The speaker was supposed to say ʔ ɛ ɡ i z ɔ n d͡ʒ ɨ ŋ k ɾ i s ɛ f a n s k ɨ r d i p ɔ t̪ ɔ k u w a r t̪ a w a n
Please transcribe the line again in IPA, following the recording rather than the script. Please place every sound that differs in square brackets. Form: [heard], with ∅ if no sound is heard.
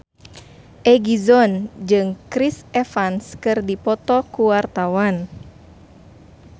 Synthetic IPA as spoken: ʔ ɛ ɡ i z ɔ n d͡ʒ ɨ ŋ k ɾ i s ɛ f a n s k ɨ r d i p ɔ t̪ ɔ k u w a r t̪ a w a n

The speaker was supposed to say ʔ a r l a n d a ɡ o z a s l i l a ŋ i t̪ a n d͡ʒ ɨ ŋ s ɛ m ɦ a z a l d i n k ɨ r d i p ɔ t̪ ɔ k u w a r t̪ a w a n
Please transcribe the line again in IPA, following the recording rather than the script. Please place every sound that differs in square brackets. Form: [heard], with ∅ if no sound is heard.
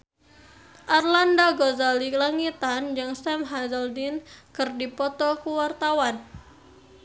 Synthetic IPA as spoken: ʔ a r l a n d a ɡ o z a [∅] l i l a ŋ i t̪ a n d͡ʒ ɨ ŋ s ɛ m ɦ a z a l d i n k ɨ r d i p ɔ t̪ ɔ k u w a r t̪ a w a n

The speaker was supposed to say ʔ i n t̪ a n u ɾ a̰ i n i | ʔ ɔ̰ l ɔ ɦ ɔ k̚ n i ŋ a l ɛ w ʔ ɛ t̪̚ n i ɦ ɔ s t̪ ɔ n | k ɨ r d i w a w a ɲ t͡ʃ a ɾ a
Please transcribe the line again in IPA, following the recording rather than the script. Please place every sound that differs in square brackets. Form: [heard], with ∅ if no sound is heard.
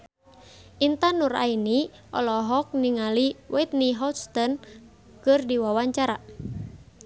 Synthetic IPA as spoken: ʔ i n t̪ a n u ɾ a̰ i n i | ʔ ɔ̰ l ɔ ɦ ɔ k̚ n i ŋ a l [i] w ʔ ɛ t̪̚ n i ɦ ɔ s t̪ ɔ n | k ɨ r d i w a w a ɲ t͡ʃ a ɾ a

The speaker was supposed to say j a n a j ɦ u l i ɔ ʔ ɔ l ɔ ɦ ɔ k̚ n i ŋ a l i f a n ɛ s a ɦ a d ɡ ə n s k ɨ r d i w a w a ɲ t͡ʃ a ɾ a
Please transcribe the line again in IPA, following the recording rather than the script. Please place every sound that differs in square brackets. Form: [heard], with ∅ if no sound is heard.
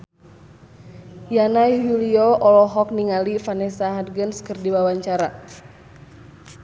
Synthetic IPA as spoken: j a n a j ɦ u l i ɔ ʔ ɔ l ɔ ɦ ɔ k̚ n i ŋ a l i f a n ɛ s a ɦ a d ɡ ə n s k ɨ r d i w a w a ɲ t͡ʃ a ɾ a

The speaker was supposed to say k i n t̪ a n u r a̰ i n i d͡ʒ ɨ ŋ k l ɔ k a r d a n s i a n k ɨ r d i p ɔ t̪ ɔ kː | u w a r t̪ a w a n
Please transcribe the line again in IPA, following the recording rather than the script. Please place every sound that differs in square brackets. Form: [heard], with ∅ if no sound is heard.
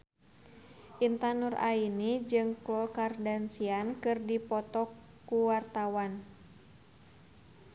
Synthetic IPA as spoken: [ʔ] i n t̪ a n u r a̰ i n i d͡ʒ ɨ ŋ k l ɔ k a r d a n s i a n k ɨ r d i p ɔ t̪ ɔ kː | u w a r t̪ a w a n

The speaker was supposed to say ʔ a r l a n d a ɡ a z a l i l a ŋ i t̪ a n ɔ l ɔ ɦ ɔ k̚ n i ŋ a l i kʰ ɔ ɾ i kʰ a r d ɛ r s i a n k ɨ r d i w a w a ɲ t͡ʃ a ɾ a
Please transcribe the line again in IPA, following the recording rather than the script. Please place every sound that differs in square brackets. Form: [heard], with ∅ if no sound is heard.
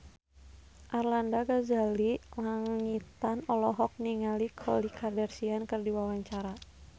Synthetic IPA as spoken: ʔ a r l a n d a ɡ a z a l i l a ŋ i t̪ a n ɔ l ɔ ɦ ɔ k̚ n i ŋ a l i kʰ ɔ [l] i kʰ a r d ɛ r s i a n k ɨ r d i w a w a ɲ t͡ʃ a ɾ a

